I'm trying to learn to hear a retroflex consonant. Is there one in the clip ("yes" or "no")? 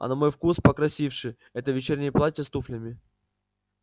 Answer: yes